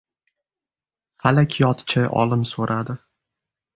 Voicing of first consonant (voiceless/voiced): voiceless